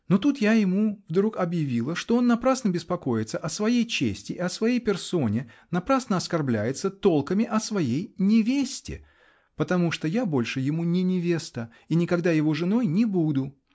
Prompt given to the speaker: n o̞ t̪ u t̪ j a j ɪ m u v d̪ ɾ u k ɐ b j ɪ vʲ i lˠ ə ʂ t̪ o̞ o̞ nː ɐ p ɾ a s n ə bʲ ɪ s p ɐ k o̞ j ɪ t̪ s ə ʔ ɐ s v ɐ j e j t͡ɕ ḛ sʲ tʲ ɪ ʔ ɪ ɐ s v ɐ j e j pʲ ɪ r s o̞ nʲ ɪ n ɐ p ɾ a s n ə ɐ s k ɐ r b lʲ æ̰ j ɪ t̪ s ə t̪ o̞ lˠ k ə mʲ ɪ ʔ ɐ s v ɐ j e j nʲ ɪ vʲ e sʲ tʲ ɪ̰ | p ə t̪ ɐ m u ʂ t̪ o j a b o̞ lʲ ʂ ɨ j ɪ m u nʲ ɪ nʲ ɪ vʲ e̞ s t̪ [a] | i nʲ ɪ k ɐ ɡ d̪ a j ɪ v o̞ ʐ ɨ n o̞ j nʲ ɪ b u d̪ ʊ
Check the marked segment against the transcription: incorrect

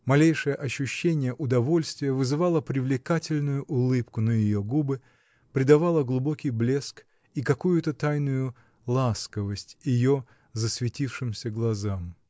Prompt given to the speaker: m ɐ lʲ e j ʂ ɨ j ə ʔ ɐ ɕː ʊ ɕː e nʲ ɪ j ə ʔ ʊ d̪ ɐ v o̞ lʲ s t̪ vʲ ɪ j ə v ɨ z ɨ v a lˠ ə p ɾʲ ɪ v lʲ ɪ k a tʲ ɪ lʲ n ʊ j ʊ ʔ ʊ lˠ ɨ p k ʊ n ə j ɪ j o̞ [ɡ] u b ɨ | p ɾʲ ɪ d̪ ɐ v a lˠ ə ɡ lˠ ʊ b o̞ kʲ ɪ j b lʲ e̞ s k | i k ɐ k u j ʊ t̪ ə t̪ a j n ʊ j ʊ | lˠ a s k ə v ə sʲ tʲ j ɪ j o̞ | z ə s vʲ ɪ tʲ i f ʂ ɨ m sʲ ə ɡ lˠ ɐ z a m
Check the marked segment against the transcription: correct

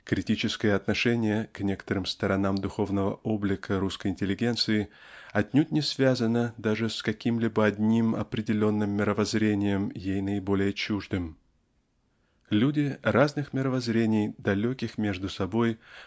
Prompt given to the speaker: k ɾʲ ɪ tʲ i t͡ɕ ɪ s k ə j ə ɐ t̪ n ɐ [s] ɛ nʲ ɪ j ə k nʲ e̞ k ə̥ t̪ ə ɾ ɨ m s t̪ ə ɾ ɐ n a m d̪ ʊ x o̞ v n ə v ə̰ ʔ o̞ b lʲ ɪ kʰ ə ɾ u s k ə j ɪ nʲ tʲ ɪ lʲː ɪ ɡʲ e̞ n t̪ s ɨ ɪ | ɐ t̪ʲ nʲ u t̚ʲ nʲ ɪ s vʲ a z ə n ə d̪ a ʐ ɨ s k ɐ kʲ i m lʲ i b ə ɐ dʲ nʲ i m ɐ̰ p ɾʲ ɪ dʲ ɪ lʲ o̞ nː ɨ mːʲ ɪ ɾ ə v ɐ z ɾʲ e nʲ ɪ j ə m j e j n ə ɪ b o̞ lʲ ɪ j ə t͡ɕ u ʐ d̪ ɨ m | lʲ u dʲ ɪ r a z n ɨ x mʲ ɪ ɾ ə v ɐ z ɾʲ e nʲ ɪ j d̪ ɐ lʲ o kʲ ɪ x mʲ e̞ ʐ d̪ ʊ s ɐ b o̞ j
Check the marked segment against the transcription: incorrect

